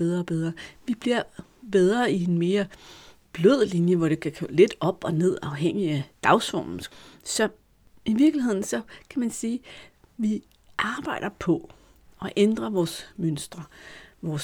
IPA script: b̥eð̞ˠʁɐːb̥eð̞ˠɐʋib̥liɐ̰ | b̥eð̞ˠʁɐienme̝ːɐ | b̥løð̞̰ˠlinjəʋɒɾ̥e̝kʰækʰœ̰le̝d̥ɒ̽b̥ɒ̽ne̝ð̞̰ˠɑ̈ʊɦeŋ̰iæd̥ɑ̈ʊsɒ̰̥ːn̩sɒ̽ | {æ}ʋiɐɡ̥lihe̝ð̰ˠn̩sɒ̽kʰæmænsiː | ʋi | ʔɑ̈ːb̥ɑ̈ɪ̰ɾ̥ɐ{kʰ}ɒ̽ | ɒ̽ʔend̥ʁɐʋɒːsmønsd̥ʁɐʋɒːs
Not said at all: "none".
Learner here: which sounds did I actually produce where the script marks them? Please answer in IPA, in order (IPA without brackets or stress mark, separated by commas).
i, pʰ